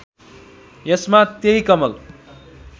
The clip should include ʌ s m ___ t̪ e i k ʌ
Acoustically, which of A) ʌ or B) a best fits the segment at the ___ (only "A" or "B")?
B